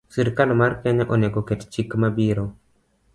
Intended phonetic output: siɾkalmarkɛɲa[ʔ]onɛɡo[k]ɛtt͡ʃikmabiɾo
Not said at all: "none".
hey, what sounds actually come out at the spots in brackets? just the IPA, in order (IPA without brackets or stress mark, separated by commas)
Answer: ʔ, k